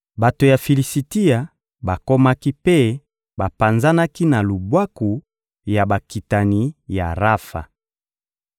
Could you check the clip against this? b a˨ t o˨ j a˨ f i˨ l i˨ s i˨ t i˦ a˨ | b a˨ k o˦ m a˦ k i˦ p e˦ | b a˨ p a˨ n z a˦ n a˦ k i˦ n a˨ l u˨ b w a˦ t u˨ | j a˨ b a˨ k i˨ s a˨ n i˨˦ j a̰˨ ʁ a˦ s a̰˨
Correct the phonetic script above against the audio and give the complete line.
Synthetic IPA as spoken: b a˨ t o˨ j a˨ f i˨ l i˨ s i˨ t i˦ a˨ | b a˨ k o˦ m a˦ k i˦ p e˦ | b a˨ p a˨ n z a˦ n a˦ k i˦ n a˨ l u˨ b w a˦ k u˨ | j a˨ b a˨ k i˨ t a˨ n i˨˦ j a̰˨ ʁ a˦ f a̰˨